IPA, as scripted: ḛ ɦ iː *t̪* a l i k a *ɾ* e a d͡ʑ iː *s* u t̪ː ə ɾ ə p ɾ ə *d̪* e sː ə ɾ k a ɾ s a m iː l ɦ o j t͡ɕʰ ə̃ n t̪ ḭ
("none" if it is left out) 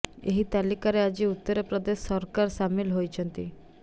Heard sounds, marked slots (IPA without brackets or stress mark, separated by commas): t̪, ɾ, none, d̪